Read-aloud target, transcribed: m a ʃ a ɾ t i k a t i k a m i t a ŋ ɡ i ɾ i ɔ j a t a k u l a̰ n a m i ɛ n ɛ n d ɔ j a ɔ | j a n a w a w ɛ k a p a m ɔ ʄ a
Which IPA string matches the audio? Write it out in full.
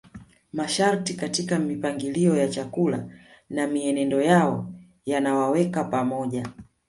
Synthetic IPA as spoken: m a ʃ a ɾ t i k a t i k a m i p a ŋ ɡ i l i ɔ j a t͡ʃ a k u l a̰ n a m i ɛ n ɛ n d ɔ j a ɔ | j a n a w a w ɛ k a p a m ɔ ʄ a